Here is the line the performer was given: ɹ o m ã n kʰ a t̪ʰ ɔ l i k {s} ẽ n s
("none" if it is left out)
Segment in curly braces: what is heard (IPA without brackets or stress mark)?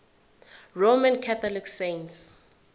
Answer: s